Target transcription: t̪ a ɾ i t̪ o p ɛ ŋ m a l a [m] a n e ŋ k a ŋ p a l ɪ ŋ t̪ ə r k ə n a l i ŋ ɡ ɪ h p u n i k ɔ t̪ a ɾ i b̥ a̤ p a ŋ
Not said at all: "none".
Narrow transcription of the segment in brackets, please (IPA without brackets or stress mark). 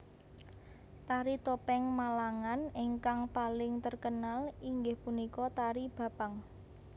ŋ